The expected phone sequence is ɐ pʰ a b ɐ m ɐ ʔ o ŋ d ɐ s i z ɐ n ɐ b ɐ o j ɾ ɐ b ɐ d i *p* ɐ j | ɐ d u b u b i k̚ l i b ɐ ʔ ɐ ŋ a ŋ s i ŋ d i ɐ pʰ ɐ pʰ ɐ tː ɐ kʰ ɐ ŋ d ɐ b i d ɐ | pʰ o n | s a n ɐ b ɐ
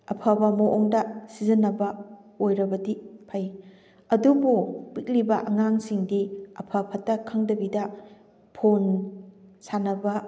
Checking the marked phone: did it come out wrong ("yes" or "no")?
yes